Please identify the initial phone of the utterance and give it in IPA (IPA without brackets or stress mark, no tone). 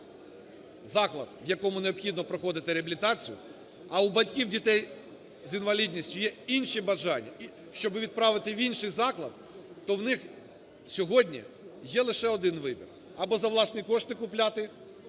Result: z